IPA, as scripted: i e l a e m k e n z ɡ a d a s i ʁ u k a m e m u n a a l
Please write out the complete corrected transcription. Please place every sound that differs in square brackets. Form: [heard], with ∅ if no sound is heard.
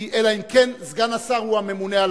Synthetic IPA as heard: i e l a [i] m k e n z ɡ a [n] a s [a] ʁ u [∅] a m e m u n [e] a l